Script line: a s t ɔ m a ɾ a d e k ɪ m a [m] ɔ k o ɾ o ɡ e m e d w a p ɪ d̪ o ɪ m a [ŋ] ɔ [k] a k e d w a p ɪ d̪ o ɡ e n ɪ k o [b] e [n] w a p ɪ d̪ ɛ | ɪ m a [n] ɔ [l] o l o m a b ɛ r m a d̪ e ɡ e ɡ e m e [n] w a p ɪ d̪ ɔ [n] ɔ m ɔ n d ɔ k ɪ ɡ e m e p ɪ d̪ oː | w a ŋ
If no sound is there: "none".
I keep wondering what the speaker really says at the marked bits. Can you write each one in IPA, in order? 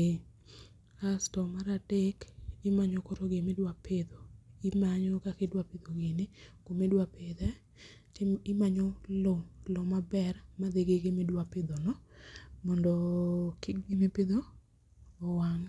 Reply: ɲ, ɲ, k, m, d, ɲ, l, d, n

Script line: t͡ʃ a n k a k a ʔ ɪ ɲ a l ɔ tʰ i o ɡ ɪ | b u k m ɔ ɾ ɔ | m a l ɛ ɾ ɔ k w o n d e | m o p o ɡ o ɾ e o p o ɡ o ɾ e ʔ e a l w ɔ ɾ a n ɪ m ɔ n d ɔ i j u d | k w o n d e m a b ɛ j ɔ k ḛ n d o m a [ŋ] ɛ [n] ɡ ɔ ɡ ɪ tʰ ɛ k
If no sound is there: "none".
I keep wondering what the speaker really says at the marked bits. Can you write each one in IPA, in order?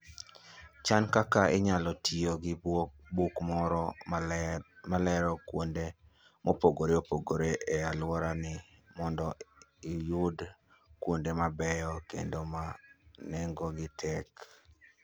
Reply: n, ŋ

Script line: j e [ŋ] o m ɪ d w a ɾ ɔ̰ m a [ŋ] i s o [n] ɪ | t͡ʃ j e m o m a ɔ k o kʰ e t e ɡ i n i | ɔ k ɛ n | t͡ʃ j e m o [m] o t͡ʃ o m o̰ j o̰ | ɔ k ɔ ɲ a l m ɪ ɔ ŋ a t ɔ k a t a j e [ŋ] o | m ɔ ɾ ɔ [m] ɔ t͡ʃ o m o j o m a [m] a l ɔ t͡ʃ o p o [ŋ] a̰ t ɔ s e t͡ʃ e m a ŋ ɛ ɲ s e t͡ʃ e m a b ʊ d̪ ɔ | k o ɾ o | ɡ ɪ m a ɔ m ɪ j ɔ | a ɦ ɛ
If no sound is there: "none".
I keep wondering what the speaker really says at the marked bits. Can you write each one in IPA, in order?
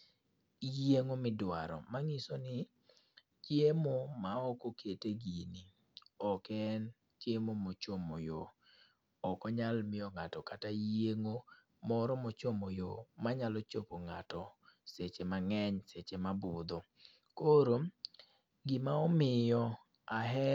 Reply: ŋ, ŋ, n, m, ŋ, m, ɲ, ŋ

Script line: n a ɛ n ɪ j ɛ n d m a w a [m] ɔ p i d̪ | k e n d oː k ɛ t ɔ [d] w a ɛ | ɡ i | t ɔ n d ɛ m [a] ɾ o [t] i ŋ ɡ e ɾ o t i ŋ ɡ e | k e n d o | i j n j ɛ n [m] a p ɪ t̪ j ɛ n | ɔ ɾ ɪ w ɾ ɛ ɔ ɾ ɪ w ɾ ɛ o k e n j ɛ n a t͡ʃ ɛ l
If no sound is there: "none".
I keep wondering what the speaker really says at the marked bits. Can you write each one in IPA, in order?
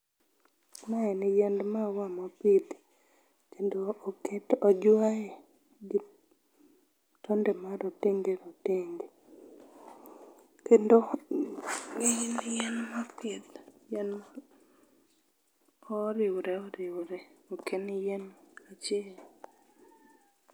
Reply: m, d͡ʒ, a, t, m

